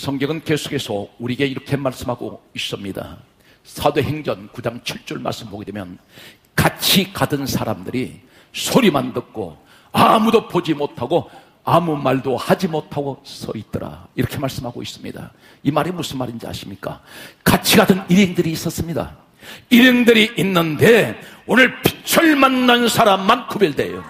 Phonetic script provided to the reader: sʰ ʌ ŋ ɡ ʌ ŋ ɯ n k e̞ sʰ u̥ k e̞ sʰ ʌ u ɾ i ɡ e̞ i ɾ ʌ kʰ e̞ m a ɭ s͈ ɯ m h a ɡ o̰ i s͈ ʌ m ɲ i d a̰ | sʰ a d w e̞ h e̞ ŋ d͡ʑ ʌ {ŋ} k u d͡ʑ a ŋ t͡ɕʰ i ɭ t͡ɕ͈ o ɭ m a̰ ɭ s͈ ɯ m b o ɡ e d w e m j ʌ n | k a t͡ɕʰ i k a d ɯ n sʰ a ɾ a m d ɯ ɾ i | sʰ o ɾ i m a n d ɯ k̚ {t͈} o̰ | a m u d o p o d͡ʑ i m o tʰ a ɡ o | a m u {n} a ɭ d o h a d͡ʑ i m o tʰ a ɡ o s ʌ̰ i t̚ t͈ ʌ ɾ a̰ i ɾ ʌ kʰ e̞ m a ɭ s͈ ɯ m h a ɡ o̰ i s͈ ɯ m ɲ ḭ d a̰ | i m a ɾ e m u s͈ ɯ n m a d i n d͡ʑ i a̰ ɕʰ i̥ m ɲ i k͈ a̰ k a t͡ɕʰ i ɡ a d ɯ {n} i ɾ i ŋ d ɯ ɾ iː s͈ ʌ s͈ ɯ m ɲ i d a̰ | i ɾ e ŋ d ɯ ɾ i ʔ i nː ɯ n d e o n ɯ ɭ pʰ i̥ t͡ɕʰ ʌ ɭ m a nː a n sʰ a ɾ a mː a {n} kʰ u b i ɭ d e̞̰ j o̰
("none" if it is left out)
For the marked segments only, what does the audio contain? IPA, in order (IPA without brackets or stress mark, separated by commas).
n, k͈, m, n, n